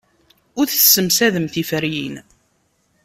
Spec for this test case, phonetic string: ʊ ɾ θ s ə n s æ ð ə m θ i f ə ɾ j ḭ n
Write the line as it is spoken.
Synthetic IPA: ʊ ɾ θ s ə m s æ ð ə m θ i f ə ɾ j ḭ n